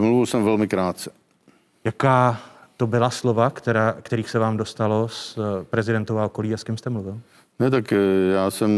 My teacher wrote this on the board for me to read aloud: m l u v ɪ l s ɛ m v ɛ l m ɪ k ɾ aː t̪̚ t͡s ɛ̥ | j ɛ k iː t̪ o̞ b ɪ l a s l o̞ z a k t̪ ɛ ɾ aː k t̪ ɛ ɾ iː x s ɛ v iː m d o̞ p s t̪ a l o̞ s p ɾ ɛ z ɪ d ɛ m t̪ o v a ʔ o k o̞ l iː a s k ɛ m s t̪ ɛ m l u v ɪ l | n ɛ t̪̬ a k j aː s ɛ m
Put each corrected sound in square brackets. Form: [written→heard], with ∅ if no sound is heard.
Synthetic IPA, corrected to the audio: m l u v ɪ l s ɛ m v ɛ l m ɪ k ɾ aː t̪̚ t͡s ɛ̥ | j [ɛ→a] k [iː→aː] t̪ o̞ b ɪ l a s l o̞ [z→v] a k t̪ ɛ ɾ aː k t̪ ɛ ɾ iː x s ɛ v [iː→aː] m d o̞ [p→∅] s t̪ a l o̞ s p ɾ ɛ z ɪ d ɛ [m→n] t̪ o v a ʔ o k o̞ l iː a s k ɛ m s t̪ ɛ m l u v ɪ l | n ɛ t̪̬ a k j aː s ɛ m